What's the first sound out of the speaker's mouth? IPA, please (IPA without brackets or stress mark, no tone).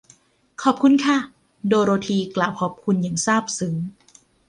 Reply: kʰ